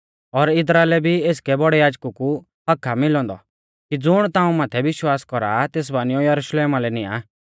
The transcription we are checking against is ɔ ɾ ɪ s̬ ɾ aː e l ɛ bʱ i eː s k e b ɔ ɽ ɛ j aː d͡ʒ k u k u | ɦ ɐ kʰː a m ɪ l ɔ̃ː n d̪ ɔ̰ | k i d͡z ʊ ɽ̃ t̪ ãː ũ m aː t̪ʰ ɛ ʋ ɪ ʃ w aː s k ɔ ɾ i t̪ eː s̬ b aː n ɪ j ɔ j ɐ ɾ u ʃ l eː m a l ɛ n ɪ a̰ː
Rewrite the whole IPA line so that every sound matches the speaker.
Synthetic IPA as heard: ɔ ɾ ɪ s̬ ɾ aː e l ɛ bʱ i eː s k ɛ b ɔ ɽ ɛ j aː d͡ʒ k u k u | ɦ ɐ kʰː a m ɪ l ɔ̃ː n d̪ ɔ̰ | k i d͡z ʊ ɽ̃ t̪ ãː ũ m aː t̪ʰ ɛ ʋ ɪ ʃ w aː s k ɔ ɾ a t̪ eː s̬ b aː n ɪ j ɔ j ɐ ɾ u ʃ l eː m a l ɛ n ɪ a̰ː